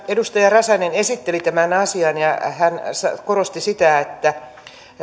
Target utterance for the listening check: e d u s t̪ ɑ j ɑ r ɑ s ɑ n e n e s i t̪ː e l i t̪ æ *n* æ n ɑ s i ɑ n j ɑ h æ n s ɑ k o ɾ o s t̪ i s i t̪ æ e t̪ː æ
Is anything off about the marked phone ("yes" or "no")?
yes